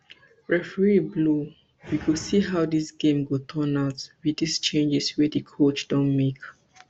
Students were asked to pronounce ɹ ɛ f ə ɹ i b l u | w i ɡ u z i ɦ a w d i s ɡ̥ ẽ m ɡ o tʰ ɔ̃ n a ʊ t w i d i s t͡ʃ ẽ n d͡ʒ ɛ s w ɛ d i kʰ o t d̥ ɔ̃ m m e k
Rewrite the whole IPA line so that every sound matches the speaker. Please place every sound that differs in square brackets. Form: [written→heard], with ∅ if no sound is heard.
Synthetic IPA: ɹ ɛ f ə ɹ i b l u | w i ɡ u [z→s] i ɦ a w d i s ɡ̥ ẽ m ɡ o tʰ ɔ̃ n a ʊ t w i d i s t͡ʃ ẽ n d͡ʒ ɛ s w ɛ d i kʰ o [t→t͡ʃ] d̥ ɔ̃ [m→n] m e k